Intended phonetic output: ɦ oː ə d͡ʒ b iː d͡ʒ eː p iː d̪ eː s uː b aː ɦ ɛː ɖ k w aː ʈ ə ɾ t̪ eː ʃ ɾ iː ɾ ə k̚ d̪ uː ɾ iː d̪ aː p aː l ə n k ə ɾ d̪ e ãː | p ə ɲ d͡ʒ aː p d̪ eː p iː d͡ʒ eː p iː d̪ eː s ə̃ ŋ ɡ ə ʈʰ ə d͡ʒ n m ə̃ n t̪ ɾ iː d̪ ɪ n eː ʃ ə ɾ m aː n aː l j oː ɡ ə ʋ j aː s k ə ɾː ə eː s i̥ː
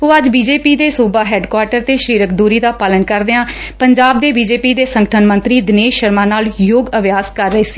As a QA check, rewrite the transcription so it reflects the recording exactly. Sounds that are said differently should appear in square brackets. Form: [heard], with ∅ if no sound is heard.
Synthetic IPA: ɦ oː ə d͡ʒ b iː d͡ʒ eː p iː d̪ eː s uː b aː ɦ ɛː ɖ k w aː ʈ ə ɾ t̪ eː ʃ ɾ iː ɾ ə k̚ d̪ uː ɾ iː d̪ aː p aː l ə n k ə ɾ d̪ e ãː | p ə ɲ d͡ʒ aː [b] d̪ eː [b] iː d͡ʒ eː p iː d̪ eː s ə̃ ŋ ɡ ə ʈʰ ə [∅] n m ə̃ n t̪ ɾ iː d̪ ɪ n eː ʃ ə ɾ m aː n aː l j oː ɡ ə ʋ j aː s k ə ɾː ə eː s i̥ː